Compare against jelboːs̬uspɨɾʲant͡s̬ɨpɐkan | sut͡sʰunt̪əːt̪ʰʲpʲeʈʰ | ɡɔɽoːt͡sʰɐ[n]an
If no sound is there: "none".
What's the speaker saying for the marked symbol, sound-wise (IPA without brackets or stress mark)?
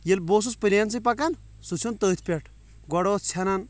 n